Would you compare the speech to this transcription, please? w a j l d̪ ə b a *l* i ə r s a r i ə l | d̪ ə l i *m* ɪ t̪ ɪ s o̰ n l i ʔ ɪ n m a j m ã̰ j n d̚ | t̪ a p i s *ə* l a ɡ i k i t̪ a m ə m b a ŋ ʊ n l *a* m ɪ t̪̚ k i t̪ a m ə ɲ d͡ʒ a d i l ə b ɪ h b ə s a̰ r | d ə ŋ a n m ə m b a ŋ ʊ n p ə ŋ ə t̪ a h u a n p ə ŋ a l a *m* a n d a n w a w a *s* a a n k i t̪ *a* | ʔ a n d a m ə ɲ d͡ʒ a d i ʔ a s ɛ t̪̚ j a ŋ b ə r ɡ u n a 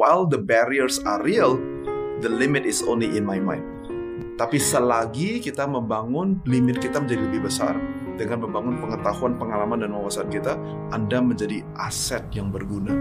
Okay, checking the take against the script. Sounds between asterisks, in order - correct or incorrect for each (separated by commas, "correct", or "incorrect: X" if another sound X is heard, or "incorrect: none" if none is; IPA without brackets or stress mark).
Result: incorrect: ɾ, correct, correct, incorrect: i, correct, correct, correct